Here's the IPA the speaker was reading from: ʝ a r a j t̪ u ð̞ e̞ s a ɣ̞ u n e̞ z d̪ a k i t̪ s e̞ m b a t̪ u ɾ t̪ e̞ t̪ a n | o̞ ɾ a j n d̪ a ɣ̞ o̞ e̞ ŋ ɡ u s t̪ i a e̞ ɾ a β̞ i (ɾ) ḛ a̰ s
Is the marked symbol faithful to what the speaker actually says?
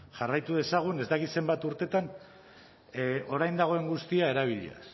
no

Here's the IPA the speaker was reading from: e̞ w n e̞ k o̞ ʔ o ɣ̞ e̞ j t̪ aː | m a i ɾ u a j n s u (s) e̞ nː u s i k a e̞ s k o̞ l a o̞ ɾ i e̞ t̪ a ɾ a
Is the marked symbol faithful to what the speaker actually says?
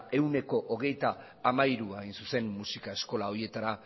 yes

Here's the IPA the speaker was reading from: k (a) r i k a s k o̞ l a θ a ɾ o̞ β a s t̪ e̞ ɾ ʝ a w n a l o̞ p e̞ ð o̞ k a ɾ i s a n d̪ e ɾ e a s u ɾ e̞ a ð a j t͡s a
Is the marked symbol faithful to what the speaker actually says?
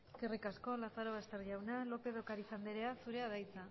no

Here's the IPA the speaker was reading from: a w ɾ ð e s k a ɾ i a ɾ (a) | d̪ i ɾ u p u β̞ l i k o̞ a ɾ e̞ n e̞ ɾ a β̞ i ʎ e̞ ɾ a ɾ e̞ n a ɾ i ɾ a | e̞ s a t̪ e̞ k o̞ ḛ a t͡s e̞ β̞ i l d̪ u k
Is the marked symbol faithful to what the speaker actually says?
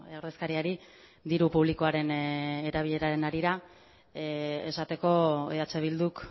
no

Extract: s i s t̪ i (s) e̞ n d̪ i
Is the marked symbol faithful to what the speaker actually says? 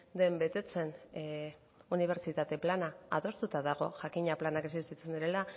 no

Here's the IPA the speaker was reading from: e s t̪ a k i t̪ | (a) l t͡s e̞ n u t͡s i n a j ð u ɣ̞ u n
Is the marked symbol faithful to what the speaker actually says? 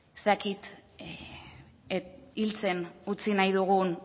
no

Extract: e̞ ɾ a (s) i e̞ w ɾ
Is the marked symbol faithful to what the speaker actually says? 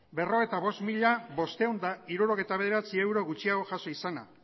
no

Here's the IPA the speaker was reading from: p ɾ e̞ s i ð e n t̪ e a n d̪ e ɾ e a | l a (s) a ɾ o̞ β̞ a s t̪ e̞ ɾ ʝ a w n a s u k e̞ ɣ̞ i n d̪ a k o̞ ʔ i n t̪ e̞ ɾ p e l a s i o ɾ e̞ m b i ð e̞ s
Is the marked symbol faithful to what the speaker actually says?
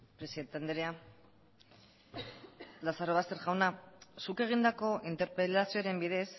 yes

